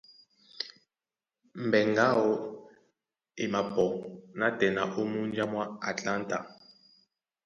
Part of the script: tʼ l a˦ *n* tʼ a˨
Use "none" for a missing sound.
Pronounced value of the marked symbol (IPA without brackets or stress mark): n